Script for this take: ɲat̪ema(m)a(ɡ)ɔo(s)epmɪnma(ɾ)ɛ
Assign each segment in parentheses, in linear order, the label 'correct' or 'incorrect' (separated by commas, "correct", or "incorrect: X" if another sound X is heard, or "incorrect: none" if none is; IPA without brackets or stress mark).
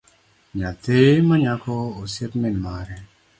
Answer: incorrect: ɲ, incorrect: k, correct, correct